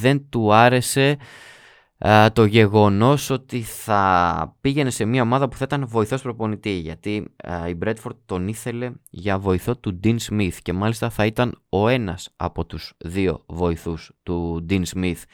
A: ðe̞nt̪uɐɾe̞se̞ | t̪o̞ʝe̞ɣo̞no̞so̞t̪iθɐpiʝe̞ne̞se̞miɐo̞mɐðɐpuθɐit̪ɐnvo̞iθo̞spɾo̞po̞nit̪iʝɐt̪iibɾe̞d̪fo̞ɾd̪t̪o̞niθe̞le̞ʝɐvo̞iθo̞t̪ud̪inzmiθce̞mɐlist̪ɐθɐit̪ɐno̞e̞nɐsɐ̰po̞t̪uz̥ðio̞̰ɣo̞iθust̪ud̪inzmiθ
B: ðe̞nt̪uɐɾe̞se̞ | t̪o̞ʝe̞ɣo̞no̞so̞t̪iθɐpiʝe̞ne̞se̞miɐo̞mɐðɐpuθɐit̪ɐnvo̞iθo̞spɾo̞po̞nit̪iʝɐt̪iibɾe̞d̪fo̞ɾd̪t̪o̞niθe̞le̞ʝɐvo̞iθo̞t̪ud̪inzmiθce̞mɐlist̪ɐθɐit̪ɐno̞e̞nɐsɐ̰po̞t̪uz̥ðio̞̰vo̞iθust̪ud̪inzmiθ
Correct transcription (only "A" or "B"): B